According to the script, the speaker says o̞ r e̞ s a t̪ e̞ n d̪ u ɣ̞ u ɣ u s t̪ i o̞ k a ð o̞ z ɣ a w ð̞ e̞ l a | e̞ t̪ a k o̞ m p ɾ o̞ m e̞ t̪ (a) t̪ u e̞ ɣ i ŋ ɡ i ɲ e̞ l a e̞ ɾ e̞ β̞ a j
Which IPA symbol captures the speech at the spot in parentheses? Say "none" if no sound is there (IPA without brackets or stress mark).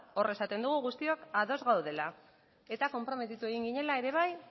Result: i